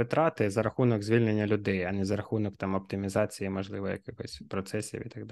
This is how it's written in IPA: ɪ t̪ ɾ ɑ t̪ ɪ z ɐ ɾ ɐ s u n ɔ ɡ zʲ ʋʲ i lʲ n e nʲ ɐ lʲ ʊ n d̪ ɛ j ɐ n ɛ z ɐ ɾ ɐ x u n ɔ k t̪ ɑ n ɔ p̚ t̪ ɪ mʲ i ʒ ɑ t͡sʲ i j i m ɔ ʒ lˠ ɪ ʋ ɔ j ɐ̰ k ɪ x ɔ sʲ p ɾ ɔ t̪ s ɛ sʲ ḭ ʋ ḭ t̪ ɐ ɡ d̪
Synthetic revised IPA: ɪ t̪ ɾ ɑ t̪ ɪ z ɐ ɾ ɐ x u n ɔ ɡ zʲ ʋʲ i lʲ n e nʲː ɐ lʲ ʊ d̪ ɛ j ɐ n ɛ z ɐ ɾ ɐ x u n ɔ k t̪ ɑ m ɔ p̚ t̪ ɪ mʲ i z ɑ t͡sʲ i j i m ɔ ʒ lˠ ɪ ʋ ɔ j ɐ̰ k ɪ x ɔ sʲ p ɾ ɔ t̪ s ɛ sʲ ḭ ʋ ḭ t̪ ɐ ɡ d̪